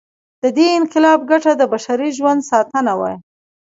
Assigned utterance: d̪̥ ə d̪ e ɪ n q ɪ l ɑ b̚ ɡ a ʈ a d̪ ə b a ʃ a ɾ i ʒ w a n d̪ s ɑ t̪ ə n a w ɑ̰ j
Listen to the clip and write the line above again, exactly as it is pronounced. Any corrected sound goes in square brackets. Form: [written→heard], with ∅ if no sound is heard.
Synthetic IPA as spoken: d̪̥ ə d̪ e ɪ n q ɪ l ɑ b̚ ɡ a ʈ a d̪ ə b a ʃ a ɾ i ʒ w a n d̪ s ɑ t̪ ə n a w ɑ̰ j